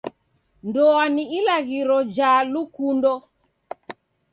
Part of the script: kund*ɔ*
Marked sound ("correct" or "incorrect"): correct